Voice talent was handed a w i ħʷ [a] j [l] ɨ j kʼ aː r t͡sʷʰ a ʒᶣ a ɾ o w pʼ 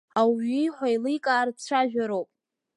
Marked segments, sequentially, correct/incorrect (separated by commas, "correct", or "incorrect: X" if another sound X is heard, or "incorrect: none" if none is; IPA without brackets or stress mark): correct, correct